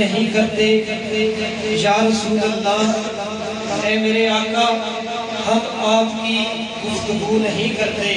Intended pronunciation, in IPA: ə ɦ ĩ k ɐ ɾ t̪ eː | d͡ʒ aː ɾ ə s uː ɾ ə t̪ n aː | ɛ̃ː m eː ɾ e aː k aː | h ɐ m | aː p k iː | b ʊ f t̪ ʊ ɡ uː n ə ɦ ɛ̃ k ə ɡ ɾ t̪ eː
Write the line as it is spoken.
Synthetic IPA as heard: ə ɦ ĩ k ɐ ɾ t̪ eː | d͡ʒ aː ɾ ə s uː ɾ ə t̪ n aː | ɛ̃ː m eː ɾ e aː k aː | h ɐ m | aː p k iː | ɡ ʊ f t̪ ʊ ɡ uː n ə ɦ ĩ k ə ɾ t̪ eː